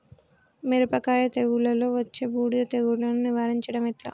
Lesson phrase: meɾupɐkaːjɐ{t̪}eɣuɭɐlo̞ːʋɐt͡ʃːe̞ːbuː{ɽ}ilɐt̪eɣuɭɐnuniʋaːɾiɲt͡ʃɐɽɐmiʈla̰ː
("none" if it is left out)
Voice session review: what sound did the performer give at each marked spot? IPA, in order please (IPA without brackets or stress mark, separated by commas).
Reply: t̪, ɽ